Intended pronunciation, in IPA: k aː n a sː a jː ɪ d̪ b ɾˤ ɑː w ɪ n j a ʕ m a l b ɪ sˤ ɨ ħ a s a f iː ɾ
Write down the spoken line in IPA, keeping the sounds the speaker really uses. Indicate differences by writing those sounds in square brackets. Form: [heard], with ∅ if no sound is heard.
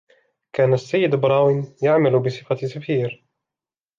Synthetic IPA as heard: k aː n a sː a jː ɪ d̪ b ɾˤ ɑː w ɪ n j a ʕ m a l b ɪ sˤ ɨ [f] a s a f iː ɾ